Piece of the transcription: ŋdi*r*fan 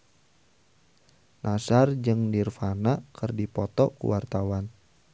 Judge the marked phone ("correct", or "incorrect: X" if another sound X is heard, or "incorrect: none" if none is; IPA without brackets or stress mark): correct